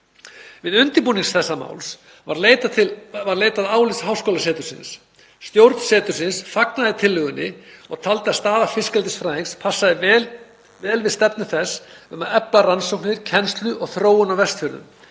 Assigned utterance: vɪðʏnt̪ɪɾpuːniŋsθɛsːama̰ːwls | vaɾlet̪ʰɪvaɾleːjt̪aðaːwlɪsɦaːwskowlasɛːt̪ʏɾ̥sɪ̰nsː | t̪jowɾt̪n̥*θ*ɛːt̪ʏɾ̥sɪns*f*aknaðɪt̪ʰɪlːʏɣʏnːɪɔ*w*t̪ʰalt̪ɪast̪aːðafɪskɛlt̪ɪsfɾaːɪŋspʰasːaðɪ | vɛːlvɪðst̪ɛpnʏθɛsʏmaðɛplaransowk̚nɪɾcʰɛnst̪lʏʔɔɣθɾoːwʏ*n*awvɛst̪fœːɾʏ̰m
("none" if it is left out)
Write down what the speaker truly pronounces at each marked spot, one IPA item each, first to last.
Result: s, f, ɣ, n

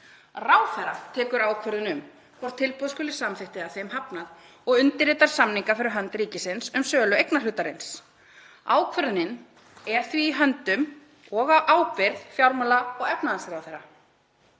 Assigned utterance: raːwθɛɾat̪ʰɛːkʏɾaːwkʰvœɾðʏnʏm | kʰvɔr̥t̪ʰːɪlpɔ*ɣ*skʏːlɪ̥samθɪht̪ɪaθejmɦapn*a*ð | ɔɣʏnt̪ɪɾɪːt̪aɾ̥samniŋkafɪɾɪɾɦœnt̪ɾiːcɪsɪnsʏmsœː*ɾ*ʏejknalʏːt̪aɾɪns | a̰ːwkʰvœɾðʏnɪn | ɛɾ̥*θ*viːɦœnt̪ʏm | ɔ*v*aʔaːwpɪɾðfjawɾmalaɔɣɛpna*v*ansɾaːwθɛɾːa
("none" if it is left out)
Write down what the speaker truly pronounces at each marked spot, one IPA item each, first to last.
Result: ð, a, l, θ, ɣ, ð

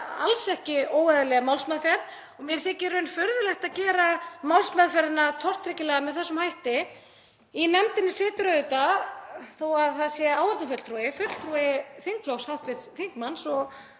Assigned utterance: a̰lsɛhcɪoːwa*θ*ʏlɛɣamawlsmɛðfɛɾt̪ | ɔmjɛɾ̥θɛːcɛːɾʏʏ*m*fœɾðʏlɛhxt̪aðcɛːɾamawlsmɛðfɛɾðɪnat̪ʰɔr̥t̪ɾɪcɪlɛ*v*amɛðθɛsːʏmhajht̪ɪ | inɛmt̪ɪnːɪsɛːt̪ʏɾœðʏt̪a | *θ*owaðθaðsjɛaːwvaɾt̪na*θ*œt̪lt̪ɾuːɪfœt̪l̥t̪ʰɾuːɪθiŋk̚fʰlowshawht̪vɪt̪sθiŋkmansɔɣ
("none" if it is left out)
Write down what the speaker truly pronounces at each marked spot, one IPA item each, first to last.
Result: ð, n, ɣ, θ, f

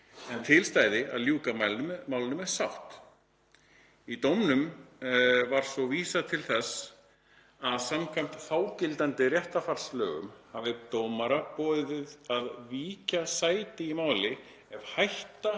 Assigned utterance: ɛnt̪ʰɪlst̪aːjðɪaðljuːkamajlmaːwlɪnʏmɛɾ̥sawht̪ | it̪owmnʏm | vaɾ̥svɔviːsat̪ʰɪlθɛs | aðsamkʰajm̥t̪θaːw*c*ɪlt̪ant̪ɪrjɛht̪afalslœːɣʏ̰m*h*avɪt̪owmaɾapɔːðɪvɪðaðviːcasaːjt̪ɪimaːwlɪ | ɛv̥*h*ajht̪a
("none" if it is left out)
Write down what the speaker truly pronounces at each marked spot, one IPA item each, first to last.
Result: c, h, h

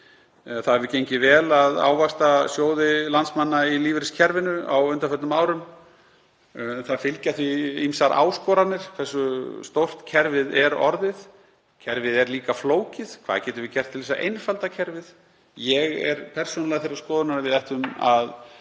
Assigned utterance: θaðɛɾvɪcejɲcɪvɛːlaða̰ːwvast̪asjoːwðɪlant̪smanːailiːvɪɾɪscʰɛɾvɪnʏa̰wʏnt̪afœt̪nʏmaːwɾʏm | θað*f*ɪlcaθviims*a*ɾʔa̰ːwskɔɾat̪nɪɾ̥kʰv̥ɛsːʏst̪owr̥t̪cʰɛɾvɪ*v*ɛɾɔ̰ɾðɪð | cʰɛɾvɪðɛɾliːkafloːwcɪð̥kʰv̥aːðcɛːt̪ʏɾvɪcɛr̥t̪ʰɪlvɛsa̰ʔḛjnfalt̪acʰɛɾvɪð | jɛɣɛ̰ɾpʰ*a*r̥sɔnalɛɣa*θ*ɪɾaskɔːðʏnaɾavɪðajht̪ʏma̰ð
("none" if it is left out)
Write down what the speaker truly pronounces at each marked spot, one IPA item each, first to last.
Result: f, a, ð, ɛ, θ

